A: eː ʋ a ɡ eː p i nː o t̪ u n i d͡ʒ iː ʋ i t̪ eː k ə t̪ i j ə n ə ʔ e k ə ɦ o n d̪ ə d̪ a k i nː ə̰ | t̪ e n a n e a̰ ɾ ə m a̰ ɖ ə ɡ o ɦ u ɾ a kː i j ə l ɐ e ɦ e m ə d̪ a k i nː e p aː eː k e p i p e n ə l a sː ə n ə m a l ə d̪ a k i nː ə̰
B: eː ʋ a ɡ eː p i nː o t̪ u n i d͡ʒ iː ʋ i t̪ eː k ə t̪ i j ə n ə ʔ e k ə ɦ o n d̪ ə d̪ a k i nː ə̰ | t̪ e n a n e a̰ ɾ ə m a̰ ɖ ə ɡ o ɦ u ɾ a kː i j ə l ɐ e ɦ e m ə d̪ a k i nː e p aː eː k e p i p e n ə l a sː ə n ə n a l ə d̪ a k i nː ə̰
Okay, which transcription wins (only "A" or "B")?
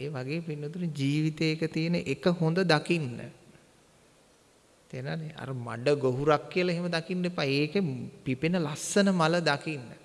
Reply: A